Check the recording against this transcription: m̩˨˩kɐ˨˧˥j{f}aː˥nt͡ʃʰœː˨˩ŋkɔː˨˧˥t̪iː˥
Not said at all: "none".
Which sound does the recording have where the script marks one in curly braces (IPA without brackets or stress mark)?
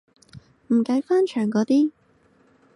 f